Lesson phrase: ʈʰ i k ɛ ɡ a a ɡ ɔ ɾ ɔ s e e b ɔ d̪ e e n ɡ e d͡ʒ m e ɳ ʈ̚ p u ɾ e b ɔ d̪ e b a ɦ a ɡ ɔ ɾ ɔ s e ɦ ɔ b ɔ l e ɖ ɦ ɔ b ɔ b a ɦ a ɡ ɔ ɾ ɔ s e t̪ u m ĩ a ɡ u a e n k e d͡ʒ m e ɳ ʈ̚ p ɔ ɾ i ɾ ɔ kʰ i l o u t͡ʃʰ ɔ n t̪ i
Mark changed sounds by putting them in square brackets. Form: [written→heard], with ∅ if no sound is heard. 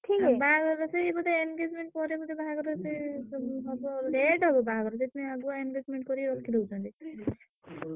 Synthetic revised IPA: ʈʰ i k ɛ [ɡ→b] a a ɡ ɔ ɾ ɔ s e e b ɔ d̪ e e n ɡ e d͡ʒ m e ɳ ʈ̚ p [u→ɔ] ɾ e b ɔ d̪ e b a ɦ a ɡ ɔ ɾ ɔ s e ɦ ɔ b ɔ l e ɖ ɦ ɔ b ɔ b a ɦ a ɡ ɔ ɾ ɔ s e t̪ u m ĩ a ɡ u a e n [k→ɡ] e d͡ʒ m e ɳ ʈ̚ [p→k] ɔ ɾ i ɾ ɔ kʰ i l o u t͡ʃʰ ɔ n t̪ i